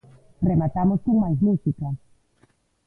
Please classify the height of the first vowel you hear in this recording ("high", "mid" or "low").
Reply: mid